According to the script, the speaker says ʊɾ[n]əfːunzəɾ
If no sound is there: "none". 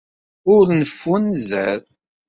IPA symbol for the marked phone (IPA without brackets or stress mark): n